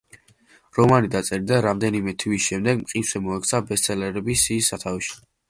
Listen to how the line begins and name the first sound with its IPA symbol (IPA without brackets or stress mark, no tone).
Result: ɾ